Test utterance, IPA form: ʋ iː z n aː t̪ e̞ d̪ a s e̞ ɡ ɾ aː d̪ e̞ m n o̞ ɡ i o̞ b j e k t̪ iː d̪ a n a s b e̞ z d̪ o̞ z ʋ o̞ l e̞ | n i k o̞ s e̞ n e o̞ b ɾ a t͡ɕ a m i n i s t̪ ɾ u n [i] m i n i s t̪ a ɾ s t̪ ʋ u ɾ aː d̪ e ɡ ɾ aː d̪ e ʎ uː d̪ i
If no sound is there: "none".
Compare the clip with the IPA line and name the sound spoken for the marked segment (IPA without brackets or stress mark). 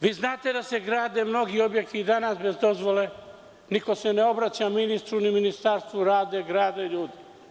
i